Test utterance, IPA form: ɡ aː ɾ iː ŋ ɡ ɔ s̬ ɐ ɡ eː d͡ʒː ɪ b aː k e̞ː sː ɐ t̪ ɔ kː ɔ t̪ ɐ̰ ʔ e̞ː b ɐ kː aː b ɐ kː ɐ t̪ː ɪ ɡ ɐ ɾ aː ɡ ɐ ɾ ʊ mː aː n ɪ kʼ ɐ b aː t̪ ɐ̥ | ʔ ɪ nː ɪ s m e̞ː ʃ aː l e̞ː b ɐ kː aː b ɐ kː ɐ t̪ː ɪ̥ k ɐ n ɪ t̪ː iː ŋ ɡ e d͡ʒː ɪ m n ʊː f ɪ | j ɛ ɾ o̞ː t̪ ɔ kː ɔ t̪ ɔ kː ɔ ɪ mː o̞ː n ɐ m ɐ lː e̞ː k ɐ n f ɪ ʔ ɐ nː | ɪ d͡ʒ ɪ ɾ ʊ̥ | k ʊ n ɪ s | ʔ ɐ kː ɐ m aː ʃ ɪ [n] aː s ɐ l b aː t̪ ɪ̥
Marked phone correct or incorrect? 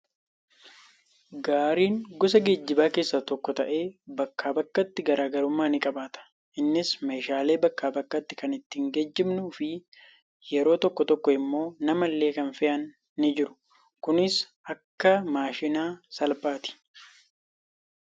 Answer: correct